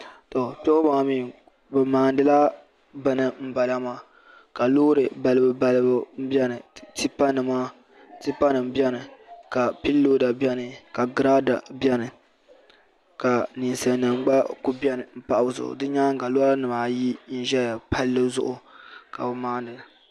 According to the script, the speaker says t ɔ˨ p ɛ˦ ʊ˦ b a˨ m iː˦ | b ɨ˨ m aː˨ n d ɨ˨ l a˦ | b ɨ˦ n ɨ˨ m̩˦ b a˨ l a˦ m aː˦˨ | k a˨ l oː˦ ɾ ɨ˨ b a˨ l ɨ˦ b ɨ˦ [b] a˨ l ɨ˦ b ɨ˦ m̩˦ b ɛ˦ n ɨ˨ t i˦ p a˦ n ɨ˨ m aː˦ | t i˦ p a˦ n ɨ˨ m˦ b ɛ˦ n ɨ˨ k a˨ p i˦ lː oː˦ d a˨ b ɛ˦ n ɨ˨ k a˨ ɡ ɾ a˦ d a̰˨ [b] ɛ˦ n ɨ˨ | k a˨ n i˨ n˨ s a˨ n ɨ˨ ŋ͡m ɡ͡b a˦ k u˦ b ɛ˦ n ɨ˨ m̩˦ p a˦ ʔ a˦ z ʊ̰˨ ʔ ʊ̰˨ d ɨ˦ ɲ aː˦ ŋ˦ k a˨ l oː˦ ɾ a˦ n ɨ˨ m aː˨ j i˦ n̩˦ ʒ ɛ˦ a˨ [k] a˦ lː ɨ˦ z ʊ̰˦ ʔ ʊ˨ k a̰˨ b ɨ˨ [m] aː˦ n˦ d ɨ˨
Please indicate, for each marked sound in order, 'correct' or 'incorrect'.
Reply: correct, correct, incorrect, correct

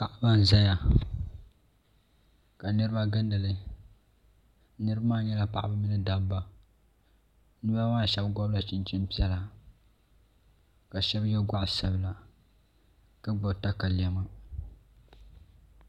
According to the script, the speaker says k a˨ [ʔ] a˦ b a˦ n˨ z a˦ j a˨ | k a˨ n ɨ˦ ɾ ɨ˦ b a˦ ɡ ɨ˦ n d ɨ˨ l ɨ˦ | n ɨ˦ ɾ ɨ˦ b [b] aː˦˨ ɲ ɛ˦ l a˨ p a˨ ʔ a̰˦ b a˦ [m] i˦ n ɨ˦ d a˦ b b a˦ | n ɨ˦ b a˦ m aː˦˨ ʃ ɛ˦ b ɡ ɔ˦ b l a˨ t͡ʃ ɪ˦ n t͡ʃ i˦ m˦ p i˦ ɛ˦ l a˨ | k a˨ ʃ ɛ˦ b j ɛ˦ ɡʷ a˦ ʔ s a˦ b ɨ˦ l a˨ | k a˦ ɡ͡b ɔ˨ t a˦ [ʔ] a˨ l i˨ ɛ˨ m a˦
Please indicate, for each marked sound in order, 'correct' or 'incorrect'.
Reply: correct, incorrect, correct, incorrect

